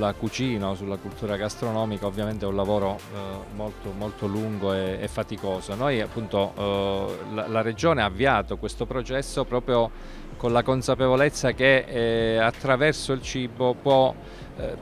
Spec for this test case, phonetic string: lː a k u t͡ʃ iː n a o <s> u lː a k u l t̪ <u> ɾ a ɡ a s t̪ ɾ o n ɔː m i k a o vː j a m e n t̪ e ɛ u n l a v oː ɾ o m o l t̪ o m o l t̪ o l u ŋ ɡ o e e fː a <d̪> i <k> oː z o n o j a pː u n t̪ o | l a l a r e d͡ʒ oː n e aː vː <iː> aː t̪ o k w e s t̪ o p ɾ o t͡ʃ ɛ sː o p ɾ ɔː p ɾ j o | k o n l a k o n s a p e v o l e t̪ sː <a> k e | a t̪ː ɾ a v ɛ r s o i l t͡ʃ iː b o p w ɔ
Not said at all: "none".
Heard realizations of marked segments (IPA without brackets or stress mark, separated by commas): s, uː, t̪, k, i, a